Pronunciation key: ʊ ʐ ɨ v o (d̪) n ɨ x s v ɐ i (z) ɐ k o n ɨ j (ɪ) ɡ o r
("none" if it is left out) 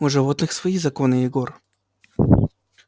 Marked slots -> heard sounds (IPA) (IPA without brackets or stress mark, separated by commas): t̪, z, ɪ